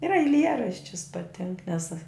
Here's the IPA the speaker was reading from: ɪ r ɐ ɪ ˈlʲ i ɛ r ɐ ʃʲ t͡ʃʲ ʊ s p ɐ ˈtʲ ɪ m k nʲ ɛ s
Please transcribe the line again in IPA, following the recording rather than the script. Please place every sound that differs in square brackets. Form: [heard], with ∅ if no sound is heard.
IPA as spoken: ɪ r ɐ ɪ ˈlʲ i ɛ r ɐ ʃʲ t͡ʃʲ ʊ s p ɐ ˈtʲ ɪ [ŋ] k nʲ ɛ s